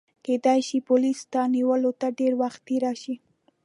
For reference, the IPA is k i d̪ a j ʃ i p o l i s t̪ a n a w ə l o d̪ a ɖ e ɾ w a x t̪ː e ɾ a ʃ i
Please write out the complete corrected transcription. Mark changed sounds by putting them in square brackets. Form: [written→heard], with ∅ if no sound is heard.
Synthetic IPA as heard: k [i→e] d̪ a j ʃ i p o l i s t̪ a n [a→i] w ə l o [d̪→t̪] a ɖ e ɾ w a x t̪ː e ɾ a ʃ i